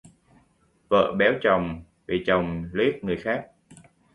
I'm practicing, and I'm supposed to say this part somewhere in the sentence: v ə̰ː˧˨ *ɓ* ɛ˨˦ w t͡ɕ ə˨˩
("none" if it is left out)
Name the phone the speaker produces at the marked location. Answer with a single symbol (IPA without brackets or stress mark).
ɓ